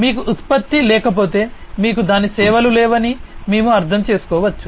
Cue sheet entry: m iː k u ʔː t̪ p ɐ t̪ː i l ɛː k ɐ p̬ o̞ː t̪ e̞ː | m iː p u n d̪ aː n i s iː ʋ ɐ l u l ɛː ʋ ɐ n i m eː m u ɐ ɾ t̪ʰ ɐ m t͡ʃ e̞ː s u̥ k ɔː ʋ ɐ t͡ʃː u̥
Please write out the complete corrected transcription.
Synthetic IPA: m iː k u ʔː t̪ p ɐ t̪ː i l ɛː k ɐ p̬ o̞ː t̪ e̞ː | m iː k u d̪ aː n i s ɛː ʋ ɐ l u l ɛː ʋ ɐ n i m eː m u ɐ ɾ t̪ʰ ɐ m t͡ʃ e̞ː s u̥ k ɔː ʋ ɐ t͡ʃː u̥